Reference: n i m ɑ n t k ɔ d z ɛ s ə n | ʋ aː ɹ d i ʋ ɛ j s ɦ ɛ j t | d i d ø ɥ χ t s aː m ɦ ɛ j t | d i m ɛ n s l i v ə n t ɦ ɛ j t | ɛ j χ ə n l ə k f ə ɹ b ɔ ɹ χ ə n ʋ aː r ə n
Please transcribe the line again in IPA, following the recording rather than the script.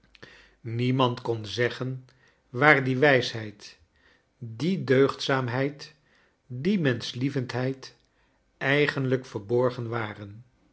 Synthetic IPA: n i m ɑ n t k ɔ n z ɛ χ ə n | ʋ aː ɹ d i ʋ ɛ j s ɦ ɛ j t | d i d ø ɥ χ t s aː m ɦ ɛ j t | d i m ɛ n s l i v ə n t ɦ ɛ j t | ɛ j χ ə n l ə k f ə ɹ b ɔ ɹ χ ə n ʋ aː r ə n